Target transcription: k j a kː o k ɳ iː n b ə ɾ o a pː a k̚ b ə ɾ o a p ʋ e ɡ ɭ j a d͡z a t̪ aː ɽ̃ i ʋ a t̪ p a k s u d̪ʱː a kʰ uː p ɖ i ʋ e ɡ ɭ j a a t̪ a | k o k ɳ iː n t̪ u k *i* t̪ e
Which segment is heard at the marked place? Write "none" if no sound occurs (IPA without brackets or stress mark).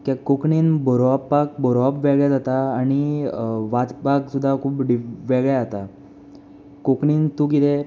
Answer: i